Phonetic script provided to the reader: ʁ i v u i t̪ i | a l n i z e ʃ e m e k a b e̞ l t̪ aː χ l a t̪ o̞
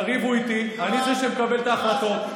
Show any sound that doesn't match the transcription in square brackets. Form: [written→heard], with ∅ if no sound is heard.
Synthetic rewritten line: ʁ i v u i t̪ i | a [l→∅] n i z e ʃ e m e k a b e̞ l t̪ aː χ l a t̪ o̞